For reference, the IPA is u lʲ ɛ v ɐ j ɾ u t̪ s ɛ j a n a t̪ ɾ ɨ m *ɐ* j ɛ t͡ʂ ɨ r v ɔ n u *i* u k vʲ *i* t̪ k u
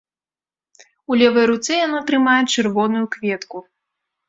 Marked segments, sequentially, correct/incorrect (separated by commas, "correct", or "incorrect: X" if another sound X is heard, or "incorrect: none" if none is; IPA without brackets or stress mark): incorrect: a, incorrect: j, incorrect: ɛ